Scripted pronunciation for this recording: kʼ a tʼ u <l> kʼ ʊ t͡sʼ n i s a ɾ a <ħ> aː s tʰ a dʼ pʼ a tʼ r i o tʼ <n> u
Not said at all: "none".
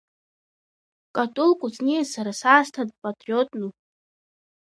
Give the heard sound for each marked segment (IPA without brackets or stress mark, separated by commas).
l, s, n